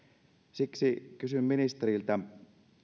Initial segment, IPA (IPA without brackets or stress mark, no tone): s